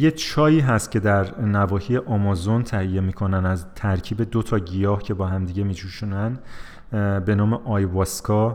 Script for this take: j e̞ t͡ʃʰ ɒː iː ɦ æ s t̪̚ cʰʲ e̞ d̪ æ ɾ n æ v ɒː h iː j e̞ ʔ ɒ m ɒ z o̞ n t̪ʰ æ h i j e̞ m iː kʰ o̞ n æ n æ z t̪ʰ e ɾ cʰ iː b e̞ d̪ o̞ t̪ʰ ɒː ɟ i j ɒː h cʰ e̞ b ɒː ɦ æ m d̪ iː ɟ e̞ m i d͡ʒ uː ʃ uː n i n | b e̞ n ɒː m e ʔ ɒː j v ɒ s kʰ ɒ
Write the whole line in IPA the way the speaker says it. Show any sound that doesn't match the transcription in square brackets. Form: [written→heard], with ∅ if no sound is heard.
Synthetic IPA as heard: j e̞ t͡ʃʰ ɒː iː ɦ æ s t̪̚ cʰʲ e̞ d̪ æ ɾ n æ v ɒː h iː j e̞ ʔ ɒ m ɒ z o̞ n t̪ʰ æ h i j e̞ m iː kʰ o̞ n æ n æ z t̪ʰ [e→æ] ɾ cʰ iː b e̞ d̪ o̞ t̪ʰ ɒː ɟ i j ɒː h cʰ e̞ b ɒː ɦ æ m d̪ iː ɟ e̞ m i d͡ʒ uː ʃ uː n [i→æ] n | b e̞ n ɒː m e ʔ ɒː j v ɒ s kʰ ɒ